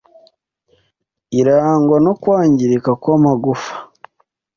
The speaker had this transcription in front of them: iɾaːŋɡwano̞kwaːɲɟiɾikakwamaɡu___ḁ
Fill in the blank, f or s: f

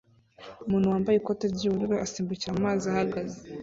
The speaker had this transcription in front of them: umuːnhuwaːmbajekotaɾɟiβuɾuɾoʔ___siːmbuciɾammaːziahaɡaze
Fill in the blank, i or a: a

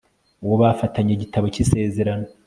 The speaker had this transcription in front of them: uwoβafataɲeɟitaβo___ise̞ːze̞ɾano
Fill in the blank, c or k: c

